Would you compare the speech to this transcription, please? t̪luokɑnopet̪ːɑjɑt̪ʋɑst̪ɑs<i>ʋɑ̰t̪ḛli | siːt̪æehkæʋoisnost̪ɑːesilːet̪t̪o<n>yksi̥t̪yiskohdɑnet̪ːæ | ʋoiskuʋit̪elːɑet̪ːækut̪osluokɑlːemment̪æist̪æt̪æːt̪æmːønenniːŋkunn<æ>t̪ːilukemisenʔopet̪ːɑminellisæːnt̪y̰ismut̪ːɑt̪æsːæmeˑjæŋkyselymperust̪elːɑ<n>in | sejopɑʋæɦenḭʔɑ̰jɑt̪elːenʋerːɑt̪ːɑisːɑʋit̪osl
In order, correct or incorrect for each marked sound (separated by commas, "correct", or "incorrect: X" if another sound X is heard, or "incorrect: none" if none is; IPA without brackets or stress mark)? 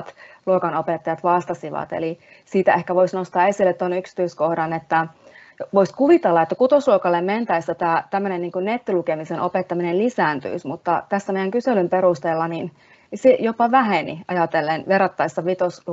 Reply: correct, correct, incorrect: e, correct